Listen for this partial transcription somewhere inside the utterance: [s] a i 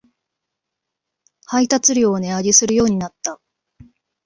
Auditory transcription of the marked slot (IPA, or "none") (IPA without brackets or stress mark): h